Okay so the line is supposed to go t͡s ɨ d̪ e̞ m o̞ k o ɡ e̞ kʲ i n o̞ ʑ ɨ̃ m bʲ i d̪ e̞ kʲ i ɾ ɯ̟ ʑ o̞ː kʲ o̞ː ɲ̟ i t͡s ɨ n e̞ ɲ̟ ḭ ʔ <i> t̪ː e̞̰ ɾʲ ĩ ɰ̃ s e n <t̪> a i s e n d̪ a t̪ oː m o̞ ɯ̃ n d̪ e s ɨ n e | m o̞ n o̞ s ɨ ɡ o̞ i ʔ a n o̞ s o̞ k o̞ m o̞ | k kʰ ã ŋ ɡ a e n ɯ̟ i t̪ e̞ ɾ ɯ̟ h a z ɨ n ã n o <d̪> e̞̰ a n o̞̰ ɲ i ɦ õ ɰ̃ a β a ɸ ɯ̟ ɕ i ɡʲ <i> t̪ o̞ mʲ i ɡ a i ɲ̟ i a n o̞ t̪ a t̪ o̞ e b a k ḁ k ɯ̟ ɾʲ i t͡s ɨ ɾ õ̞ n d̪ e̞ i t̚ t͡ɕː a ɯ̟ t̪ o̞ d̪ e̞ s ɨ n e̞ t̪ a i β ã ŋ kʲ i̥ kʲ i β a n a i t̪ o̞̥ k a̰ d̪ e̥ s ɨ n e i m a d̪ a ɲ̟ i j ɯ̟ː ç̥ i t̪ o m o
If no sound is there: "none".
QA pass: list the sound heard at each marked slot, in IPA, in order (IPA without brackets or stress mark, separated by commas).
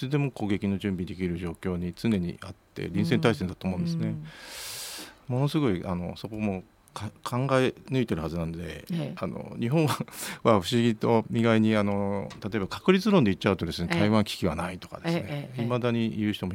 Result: a, t̪, d̪, i